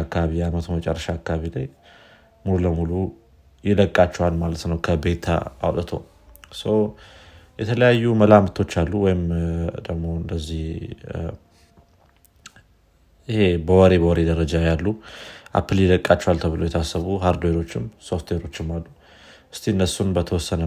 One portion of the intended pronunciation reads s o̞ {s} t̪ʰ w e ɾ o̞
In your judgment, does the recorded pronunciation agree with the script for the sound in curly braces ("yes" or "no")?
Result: no